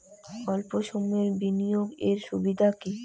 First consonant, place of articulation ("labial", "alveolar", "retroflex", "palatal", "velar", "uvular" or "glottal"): alveolar